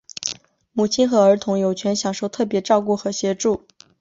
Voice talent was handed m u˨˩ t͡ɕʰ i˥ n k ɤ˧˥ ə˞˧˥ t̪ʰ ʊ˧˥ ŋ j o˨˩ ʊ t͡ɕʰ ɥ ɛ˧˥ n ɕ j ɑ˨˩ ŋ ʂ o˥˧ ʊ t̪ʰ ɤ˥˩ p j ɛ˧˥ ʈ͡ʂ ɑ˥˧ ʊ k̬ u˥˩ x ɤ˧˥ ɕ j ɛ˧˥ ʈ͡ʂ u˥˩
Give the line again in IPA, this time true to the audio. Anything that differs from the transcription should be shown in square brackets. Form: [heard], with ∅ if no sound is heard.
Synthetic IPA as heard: m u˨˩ t͡ɕʰ i˥ n [x] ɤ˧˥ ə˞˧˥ t̪ʰ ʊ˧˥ ŋ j o˨˩ ʊ t͡ɕʰ ɥ ɛ˧˥ n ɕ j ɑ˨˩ ŋ ʂ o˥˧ ʊ t̪ʰ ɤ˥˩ p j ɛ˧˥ ʈ͡ʂ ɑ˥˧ ʊ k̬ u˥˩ x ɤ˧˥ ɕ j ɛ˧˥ ʈ͡ʂ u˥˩